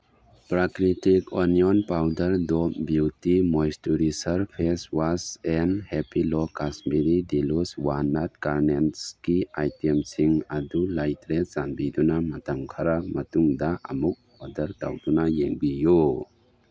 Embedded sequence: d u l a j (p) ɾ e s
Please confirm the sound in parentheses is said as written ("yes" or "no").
no